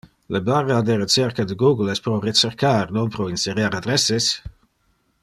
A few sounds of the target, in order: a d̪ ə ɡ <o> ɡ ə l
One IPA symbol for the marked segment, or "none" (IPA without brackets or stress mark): u